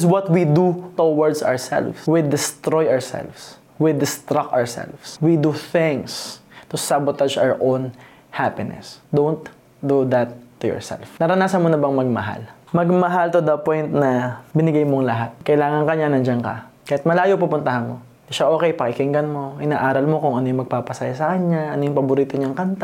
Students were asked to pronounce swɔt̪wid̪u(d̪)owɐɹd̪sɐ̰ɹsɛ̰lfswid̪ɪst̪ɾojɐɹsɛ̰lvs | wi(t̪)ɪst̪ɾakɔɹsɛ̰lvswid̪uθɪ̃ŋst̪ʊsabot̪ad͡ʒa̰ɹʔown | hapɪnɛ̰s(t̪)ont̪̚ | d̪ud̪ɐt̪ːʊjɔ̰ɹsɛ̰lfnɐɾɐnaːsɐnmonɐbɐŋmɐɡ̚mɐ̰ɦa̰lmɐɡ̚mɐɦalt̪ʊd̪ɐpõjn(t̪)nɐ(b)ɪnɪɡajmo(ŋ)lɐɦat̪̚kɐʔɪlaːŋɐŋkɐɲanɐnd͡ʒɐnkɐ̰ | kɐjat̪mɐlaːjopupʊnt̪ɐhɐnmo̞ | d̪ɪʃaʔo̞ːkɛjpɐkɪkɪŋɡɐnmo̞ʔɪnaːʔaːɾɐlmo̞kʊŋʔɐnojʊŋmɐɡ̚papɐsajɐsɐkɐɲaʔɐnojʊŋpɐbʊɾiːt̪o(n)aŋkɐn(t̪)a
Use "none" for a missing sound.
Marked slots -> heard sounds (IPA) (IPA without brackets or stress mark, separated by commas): t̪, d̪, d̪, t̪, b, ŋ, ɲ, t̪